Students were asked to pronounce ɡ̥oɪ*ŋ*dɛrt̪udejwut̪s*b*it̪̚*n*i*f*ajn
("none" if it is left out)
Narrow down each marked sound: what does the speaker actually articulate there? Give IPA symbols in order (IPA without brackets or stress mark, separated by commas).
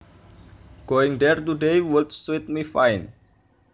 ŋ, w, m, f